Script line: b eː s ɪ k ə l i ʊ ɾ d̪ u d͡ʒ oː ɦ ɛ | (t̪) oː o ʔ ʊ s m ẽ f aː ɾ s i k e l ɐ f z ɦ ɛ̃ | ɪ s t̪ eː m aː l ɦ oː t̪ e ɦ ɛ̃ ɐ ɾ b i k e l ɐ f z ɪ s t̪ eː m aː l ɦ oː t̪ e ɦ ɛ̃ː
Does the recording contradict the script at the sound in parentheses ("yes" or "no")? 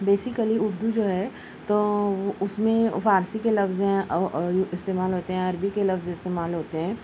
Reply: no